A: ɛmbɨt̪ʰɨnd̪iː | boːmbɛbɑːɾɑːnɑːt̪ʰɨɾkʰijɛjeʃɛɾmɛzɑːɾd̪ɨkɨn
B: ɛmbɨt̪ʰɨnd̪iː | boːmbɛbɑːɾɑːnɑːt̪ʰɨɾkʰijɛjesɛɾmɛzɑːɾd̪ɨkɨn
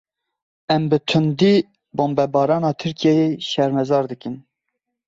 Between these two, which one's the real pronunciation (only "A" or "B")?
A